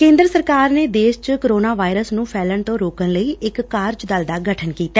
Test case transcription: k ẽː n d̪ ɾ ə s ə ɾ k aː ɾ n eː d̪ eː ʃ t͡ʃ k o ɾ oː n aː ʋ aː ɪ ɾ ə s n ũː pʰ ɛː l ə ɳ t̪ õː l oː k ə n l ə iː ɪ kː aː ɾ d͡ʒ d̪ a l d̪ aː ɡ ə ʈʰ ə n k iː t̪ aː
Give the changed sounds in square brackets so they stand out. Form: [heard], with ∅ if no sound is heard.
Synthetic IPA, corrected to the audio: k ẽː n d̪ ɾ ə s ə ɾ k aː ɾ n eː d̪ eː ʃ t͡ʃ k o ɾ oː n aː ʋ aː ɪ ɾ ə s n ũː pʰ ɛː l ə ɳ t̪ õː [ɾ] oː k ə n l ə iː ɪ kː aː ɾ d͡ʒ d̪ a l d̪ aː ɡ ə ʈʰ ə n k iː t̪ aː